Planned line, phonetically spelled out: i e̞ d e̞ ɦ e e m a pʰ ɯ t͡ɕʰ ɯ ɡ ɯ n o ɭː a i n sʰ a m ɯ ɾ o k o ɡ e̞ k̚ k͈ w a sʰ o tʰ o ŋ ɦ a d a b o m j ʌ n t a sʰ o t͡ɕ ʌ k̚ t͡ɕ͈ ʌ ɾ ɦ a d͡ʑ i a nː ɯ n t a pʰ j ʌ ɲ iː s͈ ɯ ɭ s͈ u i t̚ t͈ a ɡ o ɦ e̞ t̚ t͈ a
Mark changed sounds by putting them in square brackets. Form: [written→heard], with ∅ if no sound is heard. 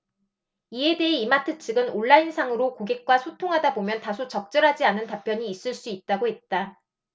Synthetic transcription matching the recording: i e̞ d e̞ ɦ e [e→i] m a [pʰ→tʰ] ɯ t͡ɕʰ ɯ ɡ ɯ n o ɭː a i n sʰ a [m→ŋ] ɯ ɾ o k o ɡ e̞ k̚ k͈ w a sʰ o tʰ o ŋ ɦ a d a b o m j ʌ n t a sʰ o t͡ɕ ʌ k̚ t͡ɕ͈ ʌ ɾ ɦ a d͡ʑ i a [nː→n] ɯ n t a pʰ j ʌ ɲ iː s͈ ɯ ɭ s͈ u i t̚ t͈ a ɡ o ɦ e̞ t̚ t͈ a